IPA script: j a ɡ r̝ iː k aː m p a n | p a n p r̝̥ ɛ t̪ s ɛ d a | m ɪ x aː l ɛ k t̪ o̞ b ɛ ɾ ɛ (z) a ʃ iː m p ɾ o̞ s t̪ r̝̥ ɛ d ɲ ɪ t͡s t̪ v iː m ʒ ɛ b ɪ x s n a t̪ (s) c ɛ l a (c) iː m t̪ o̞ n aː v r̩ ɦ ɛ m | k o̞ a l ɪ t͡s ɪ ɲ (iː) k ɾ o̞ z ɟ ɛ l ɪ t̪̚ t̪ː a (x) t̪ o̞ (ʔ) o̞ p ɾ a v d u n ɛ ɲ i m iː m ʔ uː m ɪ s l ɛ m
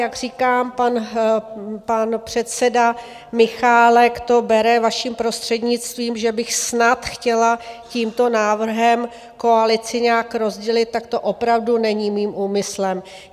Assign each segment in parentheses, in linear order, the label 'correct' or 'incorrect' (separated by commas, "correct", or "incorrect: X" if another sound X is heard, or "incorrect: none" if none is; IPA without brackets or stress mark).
incorrect: v, incorrect: x, correct, incorrect: aː, incorrect: k, correct